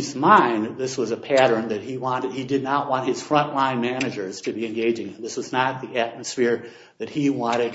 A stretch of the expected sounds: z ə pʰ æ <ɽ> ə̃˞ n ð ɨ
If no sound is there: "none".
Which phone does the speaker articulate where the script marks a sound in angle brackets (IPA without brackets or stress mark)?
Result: ɾ